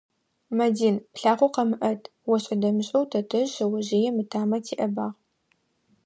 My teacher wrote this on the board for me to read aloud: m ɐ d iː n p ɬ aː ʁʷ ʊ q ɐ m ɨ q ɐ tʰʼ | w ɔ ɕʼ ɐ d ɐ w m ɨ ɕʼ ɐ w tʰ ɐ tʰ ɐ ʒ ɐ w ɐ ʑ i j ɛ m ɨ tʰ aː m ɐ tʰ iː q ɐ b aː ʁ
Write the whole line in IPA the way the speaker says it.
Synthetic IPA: m ɐ d iː n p ɬ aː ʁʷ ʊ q ɐ m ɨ ʔ ɐ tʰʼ | w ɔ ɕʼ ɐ d ɐ m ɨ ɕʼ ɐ w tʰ ɐ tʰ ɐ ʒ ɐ w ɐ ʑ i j ɛ m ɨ tʰ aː m ɐ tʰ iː ʔ ɐ b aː ʁ